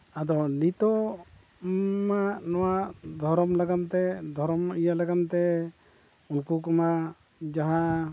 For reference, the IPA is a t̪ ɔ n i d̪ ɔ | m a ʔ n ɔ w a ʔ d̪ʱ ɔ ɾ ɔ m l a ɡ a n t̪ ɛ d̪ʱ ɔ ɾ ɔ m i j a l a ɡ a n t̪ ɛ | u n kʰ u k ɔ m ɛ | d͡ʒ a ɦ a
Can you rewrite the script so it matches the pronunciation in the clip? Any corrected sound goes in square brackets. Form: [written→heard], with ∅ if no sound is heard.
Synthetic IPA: a [t̪→d̪] ɔ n i [d̪→t̪] ɔ | m a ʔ n ɔ w a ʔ d̪ʱ ɔ ɾ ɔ m l a ɡ a n t̪ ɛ d̪ʱ ɔ ɾ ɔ m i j a l a ɡ a n t̪ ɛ | u n [kʰ→k] u k ɔ m [ɛ→a] | d͡ʒ a ɦ a